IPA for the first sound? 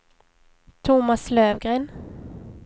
t̪ʰ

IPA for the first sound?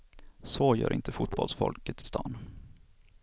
s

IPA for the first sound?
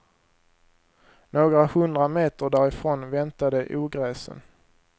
n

